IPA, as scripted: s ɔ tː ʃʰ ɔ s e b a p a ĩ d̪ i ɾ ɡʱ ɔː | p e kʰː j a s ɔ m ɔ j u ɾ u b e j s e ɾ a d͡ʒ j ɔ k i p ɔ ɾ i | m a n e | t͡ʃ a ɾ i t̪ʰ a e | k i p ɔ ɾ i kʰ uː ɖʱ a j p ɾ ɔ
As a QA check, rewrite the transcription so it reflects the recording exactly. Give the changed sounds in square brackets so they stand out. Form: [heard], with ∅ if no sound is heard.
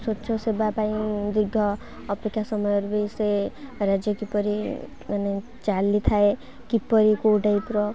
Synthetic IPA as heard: s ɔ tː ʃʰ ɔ s e b a p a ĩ d̪ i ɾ ɡʱ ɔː | p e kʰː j a s ɔ m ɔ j [ɔ] ɾ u b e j s e ɾ a d͡ʒ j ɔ k i p ɔ ɾ i | m a n e | t͡ʃ a [l] i t̪ʰ a e | k i p ɔ ɾ i [k] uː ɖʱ a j p ɾ ɔ